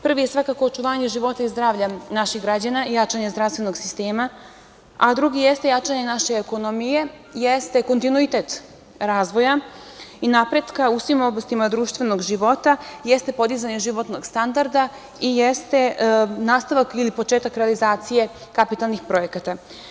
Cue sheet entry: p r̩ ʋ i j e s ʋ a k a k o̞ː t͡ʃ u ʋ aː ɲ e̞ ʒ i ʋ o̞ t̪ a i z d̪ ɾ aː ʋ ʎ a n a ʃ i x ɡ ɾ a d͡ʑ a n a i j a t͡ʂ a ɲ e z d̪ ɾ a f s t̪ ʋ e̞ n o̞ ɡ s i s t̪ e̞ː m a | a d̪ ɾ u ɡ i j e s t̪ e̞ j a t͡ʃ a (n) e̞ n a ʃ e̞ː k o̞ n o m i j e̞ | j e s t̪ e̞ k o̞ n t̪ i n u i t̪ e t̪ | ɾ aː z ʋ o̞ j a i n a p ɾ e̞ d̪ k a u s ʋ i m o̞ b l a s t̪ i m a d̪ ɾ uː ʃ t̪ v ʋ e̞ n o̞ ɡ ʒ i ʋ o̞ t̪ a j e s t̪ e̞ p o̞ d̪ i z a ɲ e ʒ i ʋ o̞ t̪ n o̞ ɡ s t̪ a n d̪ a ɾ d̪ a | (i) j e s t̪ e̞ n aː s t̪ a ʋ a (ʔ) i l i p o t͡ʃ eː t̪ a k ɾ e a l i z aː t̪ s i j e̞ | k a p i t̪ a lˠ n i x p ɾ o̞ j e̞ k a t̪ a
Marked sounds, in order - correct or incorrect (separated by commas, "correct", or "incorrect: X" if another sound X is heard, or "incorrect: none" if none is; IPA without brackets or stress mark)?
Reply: incorrect: ɲ, correct, incorrect: k